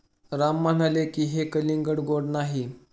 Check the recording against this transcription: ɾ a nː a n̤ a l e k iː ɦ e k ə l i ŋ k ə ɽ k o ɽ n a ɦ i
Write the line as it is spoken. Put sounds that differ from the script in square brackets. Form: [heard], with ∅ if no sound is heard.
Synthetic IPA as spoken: ɾ a [mː] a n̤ a l e k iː ɦ e k ə l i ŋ [ɡ] ə ɽ [ɡ] o ɽ n a ɦ i